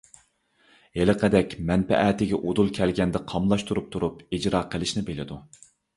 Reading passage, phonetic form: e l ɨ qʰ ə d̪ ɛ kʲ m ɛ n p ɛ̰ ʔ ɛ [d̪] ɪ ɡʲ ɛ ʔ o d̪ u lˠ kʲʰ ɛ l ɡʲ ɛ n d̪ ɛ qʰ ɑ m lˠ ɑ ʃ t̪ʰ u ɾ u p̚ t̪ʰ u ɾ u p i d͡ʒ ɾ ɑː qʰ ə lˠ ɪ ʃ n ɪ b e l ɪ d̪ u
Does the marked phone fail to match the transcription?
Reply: yes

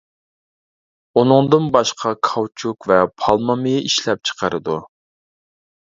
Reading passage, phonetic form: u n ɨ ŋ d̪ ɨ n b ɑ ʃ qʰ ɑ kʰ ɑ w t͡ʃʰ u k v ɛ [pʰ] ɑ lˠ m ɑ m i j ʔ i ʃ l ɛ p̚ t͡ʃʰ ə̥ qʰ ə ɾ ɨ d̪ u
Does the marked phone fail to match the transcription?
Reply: no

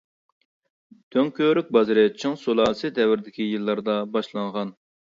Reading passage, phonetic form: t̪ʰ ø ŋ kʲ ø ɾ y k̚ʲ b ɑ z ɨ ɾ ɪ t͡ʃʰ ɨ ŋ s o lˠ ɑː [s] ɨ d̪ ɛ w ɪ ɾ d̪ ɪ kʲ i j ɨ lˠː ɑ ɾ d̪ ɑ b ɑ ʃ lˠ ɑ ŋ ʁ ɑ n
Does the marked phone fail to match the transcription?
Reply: no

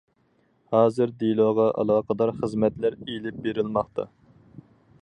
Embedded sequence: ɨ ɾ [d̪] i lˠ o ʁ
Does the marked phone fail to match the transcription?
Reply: no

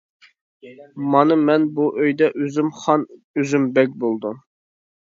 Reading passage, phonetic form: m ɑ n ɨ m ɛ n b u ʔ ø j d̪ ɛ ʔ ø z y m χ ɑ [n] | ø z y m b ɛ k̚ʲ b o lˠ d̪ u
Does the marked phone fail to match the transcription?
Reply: no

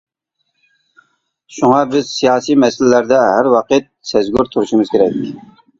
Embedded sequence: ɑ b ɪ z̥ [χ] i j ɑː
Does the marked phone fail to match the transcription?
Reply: yes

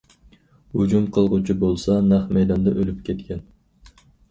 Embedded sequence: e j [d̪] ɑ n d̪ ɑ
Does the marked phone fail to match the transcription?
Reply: no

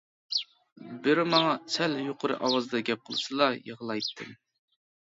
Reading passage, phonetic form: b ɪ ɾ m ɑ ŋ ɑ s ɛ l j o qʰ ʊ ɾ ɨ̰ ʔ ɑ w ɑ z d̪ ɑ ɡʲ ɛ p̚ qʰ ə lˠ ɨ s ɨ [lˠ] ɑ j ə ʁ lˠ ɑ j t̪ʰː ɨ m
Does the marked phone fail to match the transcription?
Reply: no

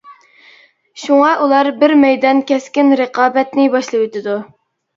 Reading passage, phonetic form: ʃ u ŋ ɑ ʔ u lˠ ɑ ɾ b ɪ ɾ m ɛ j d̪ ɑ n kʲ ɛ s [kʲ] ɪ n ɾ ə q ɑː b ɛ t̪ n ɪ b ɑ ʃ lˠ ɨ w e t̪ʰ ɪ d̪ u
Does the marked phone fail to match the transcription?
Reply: no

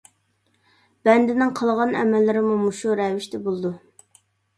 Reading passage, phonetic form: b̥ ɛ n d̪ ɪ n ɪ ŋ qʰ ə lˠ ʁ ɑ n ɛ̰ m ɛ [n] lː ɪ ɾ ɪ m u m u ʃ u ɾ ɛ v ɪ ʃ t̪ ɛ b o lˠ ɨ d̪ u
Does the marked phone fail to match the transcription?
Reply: yes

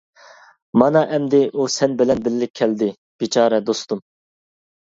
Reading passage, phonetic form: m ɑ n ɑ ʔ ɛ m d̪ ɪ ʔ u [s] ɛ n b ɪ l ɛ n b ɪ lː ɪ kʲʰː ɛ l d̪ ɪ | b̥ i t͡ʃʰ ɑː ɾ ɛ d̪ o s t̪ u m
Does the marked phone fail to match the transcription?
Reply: no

